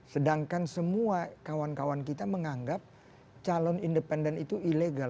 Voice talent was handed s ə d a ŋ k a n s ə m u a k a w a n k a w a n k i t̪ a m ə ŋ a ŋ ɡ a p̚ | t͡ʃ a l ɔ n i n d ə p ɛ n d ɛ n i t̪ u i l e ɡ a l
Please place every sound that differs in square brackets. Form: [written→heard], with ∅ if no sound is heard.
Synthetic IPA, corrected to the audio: s ə d a ŋ k a n s ə m u a k a w a n k a w a n k i t̪ a m ə ŋ a ŋ ɡ a p̚ | t͡ʃ a l ɔ n i n d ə p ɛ n d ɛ n i t̪ u i l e ɡ a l